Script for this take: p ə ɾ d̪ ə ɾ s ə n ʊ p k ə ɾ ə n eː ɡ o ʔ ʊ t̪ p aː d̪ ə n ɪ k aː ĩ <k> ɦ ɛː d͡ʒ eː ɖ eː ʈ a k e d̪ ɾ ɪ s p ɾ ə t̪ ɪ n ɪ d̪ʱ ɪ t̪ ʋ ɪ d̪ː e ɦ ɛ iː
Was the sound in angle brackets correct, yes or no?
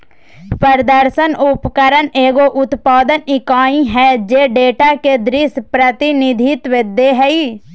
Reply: no